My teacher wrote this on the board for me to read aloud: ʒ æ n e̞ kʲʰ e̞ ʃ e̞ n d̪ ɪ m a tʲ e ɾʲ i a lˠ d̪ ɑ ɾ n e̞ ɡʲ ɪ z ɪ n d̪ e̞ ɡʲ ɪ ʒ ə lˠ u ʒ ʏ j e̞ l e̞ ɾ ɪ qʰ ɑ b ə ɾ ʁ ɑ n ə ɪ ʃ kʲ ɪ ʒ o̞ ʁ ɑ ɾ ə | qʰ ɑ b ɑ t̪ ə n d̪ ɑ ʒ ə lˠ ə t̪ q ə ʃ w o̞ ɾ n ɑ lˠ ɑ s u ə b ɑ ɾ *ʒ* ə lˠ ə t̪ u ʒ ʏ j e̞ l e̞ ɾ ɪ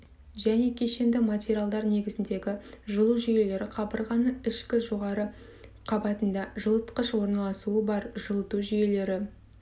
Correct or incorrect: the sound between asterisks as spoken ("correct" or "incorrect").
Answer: correct